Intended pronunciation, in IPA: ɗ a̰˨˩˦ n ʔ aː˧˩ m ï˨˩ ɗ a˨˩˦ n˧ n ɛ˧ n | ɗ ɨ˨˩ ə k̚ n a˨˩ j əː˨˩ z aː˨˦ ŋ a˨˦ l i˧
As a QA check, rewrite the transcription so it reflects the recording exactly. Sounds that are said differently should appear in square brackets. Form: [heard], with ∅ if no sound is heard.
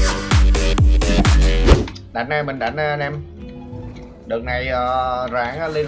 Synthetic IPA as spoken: ɗ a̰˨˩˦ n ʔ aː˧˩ m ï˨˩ ɗ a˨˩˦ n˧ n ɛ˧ [m] | ɗ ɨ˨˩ ə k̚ n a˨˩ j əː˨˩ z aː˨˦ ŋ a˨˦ l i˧